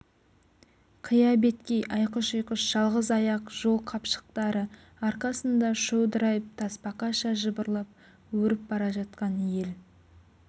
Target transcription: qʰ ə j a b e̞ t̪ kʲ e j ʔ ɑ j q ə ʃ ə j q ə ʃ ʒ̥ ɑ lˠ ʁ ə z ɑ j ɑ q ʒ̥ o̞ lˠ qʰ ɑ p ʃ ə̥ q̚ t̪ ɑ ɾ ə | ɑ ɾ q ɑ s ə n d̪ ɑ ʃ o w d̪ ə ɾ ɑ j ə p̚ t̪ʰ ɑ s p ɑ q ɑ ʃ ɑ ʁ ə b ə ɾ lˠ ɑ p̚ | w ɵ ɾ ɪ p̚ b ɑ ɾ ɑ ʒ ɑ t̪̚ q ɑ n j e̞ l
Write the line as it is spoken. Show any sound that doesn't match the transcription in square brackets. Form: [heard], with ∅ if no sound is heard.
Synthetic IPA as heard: qʰ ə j [ɑ] b e̞ t̪ kʲ e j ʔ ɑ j q ə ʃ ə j q ə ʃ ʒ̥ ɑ lˠ ʁ ə z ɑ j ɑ q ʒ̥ o̞ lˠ qʰ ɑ p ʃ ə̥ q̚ t̪ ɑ ɾ ə | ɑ ɾ q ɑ s ə n d̪ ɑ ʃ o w d̪ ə ɾ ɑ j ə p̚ t̪ʰ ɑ s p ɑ q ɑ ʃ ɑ [ʒ] ə b ə ɾ lˠ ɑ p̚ | w ɵ ɾ ɪ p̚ b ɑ ɾ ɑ ʒ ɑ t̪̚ q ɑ n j e̞ l